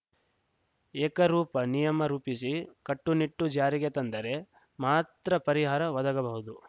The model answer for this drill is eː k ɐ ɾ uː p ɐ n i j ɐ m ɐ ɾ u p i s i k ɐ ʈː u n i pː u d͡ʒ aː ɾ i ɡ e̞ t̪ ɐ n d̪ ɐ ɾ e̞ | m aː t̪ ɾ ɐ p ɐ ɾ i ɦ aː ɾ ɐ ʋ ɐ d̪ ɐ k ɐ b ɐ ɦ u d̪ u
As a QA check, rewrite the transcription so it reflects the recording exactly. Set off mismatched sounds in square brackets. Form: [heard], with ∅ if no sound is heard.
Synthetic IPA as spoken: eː k ɐ ɾ uː p ɐ n i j ɐ m ɐ ɾ [uː] p i s i k ɐ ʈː u n i [ʈː] u d͡ʒ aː ɾ i ɡ e̞ t̪ ɐ n d̪ ɐ ɾ e̞ | m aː t̪ ɾ ɐ p ɐ ɾ i ɦ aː ɾ ɐ ʋ ɐ d̪ ɐ [ɡ] ɐ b ɐ ɦ u d̪ u